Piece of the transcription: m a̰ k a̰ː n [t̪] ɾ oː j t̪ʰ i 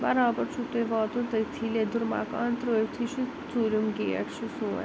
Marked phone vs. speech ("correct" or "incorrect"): correct